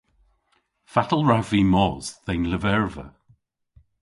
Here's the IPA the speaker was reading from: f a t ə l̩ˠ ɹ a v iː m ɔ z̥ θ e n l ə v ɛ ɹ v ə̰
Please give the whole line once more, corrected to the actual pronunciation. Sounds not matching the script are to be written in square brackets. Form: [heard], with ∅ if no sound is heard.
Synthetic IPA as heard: f a t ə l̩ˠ ɹ a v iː m ɔ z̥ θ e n l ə v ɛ ɹ v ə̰